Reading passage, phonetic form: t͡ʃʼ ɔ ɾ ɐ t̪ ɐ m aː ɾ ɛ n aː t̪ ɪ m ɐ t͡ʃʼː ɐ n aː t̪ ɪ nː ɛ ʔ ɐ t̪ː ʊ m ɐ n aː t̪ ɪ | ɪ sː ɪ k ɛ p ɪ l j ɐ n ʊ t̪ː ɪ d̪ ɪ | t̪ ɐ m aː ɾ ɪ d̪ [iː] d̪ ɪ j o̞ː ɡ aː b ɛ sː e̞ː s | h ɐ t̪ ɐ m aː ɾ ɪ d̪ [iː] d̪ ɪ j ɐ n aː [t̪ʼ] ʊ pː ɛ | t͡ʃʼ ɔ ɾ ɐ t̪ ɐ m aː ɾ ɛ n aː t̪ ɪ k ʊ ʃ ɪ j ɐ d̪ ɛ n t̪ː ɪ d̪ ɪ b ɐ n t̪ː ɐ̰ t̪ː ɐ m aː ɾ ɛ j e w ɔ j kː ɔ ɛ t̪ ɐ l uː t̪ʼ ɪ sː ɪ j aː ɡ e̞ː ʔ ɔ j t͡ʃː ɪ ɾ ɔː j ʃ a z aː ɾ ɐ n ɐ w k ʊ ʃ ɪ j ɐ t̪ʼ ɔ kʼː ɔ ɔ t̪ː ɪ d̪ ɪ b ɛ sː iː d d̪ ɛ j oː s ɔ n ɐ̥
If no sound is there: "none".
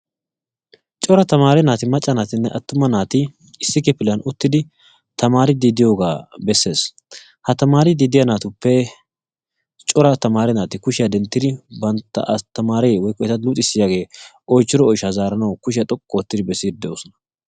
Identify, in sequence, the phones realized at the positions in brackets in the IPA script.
iː, iː, t̪

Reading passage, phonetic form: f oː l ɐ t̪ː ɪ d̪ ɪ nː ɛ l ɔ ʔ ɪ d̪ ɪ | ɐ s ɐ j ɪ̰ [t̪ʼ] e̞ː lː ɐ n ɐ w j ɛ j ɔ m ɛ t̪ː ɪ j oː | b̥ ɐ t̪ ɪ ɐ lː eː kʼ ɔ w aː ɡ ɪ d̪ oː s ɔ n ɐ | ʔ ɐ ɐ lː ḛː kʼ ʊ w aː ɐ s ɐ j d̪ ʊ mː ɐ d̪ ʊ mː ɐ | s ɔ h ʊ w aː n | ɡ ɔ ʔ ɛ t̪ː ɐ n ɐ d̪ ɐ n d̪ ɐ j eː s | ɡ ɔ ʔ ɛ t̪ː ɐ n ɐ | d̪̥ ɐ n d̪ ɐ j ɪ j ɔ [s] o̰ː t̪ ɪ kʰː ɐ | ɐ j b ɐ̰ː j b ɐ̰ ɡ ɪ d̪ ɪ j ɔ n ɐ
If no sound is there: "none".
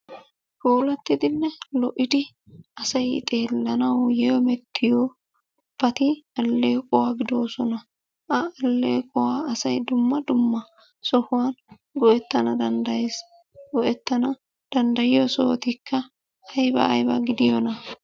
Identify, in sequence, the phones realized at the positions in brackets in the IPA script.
t̪ʼ, s

